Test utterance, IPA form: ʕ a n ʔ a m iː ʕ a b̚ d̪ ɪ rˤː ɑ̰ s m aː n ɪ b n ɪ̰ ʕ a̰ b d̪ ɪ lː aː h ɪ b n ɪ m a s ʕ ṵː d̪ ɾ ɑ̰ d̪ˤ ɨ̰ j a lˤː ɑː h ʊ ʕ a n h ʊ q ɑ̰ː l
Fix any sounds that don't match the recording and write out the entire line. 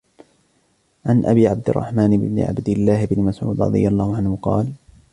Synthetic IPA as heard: ʕ a n ʔ a b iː ʕ a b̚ d̪ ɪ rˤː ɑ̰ ħ m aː n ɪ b n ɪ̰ ʕ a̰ b d̪ ɪ lː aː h ɪ b n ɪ m a s ʕ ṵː d̪ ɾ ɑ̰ d̪ˤ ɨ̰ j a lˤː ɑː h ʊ ʕ a n h ʊ q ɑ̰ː l